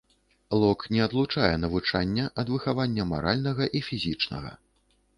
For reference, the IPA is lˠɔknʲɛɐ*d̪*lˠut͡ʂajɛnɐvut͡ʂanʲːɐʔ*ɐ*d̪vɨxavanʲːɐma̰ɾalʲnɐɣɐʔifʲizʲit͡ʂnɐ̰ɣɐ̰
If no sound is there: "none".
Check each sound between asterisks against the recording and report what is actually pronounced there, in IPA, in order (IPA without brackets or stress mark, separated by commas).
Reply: d̪, ɐ